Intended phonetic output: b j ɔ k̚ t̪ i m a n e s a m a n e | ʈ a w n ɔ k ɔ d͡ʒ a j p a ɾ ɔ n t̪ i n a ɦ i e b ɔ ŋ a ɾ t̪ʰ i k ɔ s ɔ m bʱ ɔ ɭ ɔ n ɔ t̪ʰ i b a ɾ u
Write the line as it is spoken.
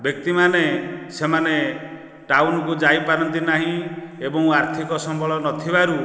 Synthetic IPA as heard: b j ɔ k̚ t̪ i m a n e s e m a n e | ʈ a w n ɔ k u d͡ʒ a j p a ɾ ɔ n t̪ i n a ɦ ĩ e b ɔ ŋ a ɾ t̪ʰ i k ɔ s ɔ m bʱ ɔ ɭ ɔ n ɔ t̪ʰ i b a ɾ u

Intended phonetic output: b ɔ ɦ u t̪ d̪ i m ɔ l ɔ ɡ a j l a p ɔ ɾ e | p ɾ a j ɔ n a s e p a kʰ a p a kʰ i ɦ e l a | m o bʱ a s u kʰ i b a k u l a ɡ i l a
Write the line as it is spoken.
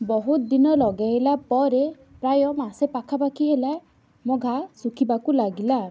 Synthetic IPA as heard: b ɔ ɦ u t̪ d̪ i n ɔ l ɔ ɡ a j l a p ɔ ɾ e | p ɾ a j ɔ m a s e p a kʰ a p a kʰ i ɦ e l a | m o ɡʱ a s u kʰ i b a k u l a ɡ i l a

